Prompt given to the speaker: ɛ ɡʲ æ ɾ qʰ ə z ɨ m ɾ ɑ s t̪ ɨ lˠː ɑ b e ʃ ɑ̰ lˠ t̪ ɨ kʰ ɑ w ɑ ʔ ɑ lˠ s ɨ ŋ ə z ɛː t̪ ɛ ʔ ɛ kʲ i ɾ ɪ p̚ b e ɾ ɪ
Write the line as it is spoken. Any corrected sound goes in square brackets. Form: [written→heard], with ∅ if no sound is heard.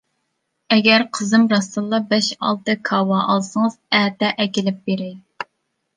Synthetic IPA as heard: ɛ ɡʲ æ ɾ qʰ ə z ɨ m ɾ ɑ s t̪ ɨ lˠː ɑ b [e→ɛ] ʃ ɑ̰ lˠ t̪ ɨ kʰ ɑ w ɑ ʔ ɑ lˠ s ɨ ŋ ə z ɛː t̪ ɛ ʔ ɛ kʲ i [ɾ→l] ɪ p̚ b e ɾ ɪ

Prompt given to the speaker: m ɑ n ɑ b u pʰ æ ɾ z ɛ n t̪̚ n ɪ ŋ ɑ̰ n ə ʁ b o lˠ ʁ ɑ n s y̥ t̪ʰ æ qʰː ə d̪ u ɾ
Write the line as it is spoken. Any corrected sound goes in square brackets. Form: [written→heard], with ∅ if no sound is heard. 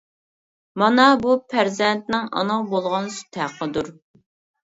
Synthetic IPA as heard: m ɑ n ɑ b u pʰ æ ɾ z ɛ n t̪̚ n ɪ ŋ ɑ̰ n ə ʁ b o lˠ ʁ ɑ n s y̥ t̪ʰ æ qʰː ə d̪ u ɾ

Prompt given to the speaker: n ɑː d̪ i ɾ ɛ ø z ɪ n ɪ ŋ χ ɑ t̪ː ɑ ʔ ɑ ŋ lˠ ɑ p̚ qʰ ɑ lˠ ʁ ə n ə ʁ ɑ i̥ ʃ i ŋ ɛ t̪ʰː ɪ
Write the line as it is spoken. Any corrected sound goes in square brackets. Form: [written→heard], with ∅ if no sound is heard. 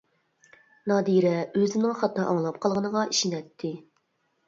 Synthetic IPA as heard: n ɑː d̪ i ɾ ɛ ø z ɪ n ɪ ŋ χ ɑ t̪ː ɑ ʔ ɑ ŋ lˠ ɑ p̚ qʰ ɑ lˠ ʁ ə n ə ʁ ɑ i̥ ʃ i [ŋ→n] ɛ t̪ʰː ɪ

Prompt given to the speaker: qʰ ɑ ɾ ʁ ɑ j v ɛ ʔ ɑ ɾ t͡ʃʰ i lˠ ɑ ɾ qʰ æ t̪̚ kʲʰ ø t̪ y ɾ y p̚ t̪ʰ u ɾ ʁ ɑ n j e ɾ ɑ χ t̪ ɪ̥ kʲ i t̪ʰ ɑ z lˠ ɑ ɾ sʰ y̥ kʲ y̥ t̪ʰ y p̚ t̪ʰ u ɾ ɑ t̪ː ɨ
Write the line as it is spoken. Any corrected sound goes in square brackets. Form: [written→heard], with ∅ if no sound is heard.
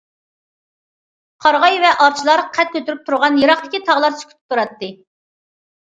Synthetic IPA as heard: qʰ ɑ ɾ ʁ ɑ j v ɛ ʔ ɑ ɾ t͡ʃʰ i lˠ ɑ ɾ qʰ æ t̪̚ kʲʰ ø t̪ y ɾ y p̚ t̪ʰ u ɾ ʁ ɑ n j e ɾ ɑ χ t̪ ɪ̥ kʲ i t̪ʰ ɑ [z→ʁ] lˠ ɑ ɾ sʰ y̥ kʲ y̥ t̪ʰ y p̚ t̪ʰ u ɾ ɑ t̪ː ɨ

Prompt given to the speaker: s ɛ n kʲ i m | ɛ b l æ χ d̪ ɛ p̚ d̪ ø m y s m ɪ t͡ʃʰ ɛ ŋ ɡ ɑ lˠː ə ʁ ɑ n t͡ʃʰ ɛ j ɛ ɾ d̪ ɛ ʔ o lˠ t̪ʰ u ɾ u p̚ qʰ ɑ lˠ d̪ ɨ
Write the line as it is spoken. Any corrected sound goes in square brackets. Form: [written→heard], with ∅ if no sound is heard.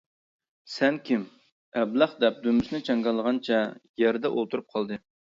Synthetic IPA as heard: s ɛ n kʲ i m | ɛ b l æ χ d̪ ɛ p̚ d̪ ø m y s [m→n] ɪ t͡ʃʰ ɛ ŋ ɡ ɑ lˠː ə ʁ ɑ n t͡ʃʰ ɛ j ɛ ɾ d̪ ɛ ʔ o lˠ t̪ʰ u ɾ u p̚ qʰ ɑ lˠ d̪ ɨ

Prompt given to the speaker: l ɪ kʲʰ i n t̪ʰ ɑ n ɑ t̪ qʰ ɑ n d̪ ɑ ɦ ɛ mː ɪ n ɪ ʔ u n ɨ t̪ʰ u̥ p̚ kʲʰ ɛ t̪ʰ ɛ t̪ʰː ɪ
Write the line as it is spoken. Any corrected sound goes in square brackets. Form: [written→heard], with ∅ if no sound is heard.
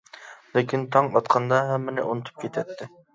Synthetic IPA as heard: l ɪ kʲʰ i n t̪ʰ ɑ [n→ŋ] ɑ t̪ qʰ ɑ n d̪ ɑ ɦ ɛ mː ɪ n ɪ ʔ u n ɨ t̪ʰ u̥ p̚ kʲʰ [ɛ→e] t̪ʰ ɛ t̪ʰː ɪ

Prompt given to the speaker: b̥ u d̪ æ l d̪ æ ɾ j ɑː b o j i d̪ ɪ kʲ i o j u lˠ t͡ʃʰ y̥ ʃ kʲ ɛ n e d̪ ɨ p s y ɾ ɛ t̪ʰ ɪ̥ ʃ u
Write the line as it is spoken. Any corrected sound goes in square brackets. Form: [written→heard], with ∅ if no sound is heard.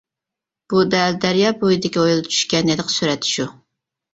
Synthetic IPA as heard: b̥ u d̪ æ l d̪ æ ɾ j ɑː b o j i d̪ ɪ kʲ i o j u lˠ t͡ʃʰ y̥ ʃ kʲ ɛ n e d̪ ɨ [p→q] s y ɾ ɛ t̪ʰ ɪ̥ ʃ u

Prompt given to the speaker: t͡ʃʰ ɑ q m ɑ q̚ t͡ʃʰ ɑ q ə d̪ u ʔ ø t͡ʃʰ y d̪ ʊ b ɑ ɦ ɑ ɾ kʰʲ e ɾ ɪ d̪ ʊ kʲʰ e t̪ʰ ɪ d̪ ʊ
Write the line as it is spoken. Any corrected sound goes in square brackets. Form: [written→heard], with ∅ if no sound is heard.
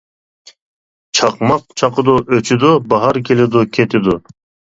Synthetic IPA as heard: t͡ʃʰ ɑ q m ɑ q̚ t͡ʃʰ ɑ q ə d̪ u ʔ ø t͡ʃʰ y d̪ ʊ b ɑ ɦ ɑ ɾ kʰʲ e [ɾ→l] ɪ d̪ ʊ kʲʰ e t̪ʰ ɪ d̪ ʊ

